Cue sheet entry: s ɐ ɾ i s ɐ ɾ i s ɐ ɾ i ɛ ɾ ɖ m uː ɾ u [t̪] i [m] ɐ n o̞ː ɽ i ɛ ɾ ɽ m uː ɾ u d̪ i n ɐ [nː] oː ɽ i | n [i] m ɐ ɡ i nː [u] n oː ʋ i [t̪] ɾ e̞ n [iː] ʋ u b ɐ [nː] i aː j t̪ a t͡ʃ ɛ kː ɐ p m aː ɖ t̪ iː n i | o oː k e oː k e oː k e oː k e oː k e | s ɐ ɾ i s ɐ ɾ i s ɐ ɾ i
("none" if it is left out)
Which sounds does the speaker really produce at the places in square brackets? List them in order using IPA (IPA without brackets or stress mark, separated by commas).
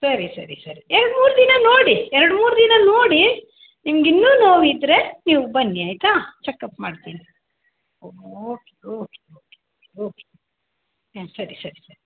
d̪, n, n, i, uː, d̪, iː, nː